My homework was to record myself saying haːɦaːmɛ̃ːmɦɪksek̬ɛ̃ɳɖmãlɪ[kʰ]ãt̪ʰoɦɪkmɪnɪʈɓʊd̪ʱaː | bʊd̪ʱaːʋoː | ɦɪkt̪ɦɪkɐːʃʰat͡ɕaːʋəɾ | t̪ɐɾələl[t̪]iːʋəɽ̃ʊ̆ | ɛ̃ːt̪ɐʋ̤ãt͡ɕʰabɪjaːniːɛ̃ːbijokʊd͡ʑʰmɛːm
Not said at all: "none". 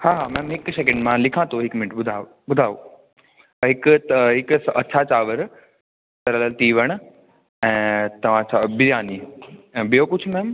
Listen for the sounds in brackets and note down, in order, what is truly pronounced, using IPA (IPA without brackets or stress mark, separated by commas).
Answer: kʰ, t̪